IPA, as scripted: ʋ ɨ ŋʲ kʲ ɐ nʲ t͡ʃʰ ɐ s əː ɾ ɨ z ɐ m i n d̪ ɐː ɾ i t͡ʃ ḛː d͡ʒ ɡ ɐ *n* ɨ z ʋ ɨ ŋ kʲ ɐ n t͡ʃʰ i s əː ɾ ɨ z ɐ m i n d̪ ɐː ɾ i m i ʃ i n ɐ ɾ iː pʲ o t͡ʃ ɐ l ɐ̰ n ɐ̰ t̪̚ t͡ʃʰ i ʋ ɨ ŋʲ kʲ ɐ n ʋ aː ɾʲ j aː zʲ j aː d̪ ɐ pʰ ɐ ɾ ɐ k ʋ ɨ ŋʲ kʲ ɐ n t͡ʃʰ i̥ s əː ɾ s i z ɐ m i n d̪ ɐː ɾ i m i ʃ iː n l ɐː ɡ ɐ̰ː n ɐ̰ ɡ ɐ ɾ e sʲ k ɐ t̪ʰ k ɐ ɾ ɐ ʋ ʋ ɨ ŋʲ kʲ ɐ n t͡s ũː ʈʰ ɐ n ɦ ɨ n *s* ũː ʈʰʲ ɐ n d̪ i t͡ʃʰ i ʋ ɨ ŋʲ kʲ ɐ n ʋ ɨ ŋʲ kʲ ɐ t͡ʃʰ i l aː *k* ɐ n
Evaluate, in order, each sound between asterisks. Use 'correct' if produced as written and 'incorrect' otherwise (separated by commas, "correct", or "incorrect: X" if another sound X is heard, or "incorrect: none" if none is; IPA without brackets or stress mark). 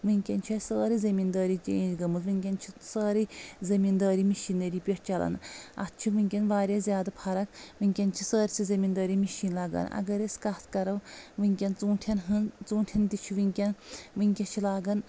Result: incorrect: m, incorrect: t͡s, incorrect: ɡ